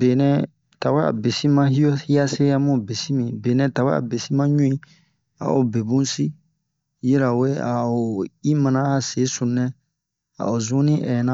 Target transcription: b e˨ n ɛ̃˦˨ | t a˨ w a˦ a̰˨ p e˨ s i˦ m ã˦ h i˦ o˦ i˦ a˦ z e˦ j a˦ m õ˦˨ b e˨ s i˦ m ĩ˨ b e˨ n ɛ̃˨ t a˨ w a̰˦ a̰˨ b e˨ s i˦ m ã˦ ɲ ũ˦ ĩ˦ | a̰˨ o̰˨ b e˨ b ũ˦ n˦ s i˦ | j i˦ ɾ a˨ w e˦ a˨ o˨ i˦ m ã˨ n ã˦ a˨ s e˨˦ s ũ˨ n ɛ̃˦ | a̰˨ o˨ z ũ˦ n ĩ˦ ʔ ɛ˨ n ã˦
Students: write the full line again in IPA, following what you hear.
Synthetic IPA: b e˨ n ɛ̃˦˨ | t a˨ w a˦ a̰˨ b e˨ s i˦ m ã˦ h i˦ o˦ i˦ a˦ s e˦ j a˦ m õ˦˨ b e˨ s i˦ m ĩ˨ b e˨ n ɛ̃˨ t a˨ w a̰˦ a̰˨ b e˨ s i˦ m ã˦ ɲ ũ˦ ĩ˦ | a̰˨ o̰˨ b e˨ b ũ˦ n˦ s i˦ | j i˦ ɾ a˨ w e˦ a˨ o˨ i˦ m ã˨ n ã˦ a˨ s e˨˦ s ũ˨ n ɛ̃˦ | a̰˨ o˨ z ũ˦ n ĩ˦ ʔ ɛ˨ n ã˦